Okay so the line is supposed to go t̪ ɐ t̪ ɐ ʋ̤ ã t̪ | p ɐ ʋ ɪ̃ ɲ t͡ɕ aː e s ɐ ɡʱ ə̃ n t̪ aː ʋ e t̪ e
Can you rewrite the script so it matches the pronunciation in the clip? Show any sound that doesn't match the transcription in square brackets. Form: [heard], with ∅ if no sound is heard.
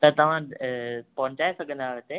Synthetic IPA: t̪ ɐ t̪ ɐ ʋ̤ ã [∅] | p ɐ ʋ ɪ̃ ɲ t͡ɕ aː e s ɐ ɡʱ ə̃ n [d̪] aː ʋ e t̪ e

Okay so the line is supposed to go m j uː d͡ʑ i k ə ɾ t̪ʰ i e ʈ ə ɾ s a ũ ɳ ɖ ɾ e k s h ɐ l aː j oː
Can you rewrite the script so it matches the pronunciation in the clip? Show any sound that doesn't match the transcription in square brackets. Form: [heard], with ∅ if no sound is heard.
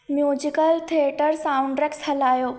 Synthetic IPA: m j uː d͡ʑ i k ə [l] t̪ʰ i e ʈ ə ɾ s a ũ ɳ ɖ ɾ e k s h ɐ l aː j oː

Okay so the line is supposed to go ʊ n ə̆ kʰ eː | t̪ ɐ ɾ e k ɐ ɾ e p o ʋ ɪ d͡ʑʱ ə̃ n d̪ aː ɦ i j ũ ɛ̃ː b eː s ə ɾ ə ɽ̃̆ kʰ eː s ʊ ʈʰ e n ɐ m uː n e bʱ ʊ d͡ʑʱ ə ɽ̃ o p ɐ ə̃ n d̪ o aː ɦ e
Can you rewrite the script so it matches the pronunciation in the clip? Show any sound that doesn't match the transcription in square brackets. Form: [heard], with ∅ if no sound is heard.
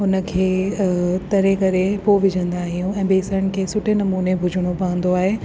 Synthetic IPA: ʊ n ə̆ kʰ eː | t̪ ɐ ɾ e k ɐ ɾ e p o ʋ ɪ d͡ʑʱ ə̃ n d̪ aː ɦ i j ũ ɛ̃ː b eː s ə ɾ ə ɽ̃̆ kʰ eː s ʊ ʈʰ e n ɐ m uː n e bʱ ʊ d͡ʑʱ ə ɽ̃ o p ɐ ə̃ n d̪ o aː ɦ e

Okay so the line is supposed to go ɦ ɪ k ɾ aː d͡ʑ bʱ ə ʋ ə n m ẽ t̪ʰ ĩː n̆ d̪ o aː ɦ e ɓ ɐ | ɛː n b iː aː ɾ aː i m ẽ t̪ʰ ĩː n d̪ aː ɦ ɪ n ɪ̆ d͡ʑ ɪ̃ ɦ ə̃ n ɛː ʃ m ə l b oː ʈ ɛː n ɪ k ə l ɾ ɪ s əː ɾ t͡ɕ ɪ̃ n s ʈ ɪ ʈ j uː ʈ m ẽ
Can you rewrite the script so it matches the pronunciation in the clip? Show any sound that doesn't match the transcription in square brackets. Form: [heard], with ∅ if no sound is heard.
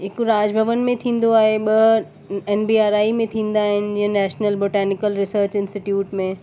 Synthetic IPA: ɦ ɪ k ɾ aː d͡ʑ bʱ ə ʋ ə n m ẽ t̪ʰ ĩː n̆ d̪ o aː ɦ e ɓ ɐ | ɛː n b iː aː ɾ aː i m ẽ t̪ʰ ĩː n d̪ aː ɦ ɪ n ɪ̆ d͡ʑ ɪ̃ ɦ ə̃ n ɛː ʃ [n] ə l b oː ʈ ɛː n ɪ k ə l ɾ ɪ s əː ɾ t͡ɕ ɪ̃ n s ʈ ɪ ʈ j uː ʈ m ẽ

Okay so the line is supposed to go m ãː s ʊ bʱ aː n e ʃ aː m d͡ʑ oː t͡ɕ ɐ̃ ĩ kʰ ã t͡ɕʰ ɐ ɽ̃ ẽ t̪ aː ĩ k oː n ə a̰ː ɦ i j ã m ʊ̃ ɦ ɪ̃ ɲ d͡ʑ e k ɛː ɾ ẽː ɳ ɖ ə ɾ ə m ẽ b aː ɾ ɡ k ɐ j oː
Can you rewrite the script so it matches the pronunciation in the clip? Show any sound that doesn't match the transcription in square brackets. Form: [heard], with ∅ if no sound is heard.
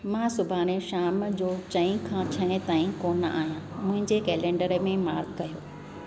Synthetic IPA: m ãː s ʊ bʱ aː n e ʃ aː m d͡ʑ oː t͡ɕ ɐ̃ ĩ kʰ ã t͡ɕʰ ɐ ɽ̃ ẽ t̪ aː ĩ k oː n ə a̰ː ɦ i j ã m ʊ̃ ɦ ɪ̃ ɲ d͡ʑ e k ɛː [l] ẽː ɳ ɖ ə ɾ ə m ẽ [m] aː ɾ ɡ k ɐ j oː

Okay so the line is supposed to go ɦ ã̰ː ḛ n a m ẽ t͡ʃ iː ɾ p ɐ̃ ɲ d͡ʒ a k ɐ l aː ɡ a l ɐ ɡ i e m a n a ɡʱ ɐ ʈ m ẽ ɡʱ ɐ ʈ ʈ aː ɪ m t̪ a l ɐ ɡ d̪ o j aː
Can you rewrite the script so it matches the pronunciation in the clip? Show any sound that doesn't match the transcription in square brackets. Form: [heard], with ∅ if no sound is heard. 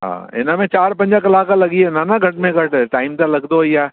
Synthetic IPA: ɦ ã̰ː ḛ n a m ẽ t͡ʃ [aː] ɾ p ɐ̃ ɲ d͡ʒ a k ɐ l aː [k] a l ɐ ɡ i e [n] a n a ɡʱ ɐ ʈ m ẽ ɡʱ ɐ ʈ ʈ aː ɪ m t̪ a l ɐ ɡ d̪ o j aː

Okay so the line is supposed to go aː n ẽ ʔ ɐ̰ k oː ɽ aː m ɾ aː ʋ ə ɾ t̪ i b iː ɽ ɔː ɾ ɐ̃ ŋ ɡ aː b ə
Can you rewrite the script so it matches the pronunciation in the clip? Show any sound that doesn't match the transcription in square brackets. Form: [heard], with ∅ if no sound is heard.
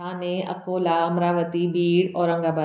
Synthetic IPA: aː n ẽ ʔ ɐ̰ k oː [l] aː m ɾ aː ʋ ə [∅] t̪ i b iː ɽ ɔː ɾ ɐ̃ ŋ ɡ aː b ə

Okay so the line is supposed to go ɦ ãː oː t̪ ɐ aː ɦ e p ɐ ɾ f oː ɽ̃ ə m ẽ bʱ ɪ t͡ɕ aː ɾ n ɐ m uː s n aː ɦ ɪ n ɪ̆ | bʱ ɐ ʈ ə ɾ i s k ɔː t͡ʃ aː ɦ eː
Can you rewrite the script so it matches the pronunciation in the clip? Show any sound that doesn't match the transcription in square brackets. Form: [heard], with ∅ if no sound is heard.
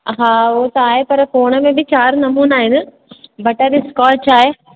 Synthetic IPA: ɦ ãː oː t̪ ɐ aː ɦ e p ɐ ɾ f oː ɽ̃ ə m ẽ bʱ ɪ t͡ɕ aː ɾ n ɐ m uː [∅] n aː ɦ ɪ n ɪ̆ | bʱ ɐ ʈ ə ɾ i s k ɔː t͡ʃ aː ɦ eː

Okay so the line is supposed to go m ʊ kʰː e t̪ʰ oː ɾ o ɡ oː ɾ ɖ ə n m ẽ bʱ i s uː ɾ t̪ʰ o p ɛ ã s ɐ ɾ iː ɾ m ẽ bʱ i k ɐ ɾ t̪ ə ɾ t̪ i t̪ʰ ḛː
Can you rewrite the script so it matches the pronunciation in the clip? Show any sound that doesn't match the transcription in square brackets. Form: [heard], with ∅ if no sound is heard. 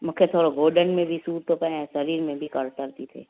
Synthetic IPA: m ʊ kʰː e t̪ʰ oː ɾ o ɡ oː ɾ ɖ ə n m ẽ bʱ i s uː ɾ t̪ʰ o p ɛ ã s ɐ ɾ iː ɾ m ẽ bʱ i k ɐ ɾ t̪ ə ɾ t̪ i t̪ʰ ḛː

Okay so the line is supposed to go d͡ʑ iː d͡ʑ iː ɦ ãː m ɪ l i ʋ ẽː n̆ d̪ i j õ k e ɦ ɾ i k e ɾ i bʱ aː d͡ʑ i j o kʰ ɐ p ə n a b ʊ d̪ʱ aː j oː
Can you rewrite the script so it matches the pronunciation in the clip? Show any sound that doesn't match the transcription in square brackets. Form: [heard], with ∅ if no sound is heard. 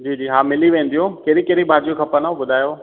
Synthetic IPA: d͡ʑ iː d͡ʑ iː ɦ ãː m ɪ l i ʋ ẽː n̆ d̪ i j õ k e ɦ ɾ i k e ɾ i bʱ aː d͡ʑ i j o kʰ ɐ p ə n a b ʊ d̪ʱ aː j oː

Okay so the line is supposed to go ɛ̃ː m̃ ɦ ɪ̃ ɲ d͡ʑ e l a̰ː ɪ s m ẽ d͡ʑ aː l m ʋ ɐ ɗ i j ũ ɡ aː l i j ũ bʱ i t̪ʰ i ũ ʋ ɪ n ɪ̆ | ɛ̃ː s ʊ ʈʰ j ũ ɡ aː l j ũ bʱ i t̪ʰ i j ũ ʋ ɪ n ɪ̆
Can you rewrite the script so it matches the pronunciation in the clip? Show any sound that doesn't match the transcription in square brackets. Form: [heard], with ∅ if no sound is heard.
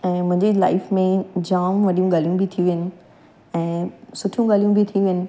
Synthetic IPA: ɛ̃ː m̃ ɦ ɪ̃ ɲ d͡ʑ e l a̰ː ɪ [f] m ẽ d͡ʑ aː [∅] m ʋ ɐ ɗ i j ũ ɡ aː l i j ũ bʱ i t̪ʰ i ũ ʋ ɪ n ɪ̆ | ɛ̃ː s ʊ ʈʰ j ũ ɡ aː l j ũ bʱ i t̪ʰ i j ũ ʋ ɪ n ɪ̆

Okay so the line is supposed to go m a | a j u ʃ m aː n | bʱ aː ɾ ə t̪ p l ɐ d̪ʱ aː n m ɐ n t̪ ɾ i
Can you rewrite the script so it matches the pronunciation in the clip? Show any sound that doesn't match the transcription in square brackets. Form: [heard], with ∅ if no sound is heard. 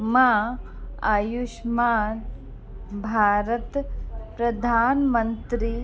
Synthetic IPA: m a | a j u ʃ m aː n | bʱ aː ɾ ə t̪ p [ɾ] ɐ d̪ʱ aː n m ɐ n t̪ ɾ i

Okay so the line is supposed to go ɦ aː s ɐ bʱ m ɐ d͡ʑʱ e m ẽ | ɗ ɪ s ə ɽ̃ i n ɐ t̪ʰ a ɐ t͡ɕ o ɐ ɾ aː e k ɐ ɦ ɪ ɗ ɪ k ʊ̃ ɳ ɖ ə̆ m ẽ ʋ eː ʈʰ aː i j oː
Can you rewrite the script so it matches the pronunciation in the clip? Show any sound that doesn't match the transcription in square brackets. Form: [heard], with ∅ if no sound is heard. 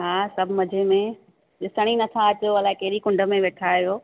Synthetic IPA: ɦ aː s ɐ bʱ m ɐ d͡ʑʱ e m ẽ | ɗ ɪ s ə ɽ̃ i n ɐ t̪ʰ a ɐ t͡ɕ o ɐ [l] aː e k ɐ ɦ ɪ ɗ [i] k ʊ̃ ɳ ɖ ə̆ m ẽ ʋ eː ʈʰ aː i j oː

